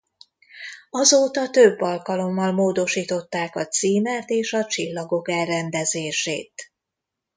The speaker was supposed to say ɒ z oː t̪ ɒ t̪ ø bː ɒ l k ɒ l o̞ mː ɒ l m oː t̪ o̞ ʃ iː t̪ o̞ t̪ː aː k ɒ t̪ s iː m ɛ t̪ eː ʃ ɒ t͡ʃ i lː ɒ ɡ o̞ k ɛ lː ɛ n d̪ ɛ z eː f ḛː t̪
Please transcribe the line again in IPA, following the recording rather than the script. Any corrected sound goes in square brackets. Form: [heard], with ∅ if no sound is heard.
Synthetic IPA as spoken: ɒ z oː t̪ ɒ t̪ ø bː ɒ l k ɒ l o̞ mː ɒ l m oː [d̪] o̞ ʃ iː t̪ o̞ t̪ː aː k ɒ t̪ s iː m ɛ t̪ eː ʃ ɒ t͡ʃ i lː ɒ ɡ o̞ k ɛ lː ɛ n d̪ ɛ z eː [ʃ] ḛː t̪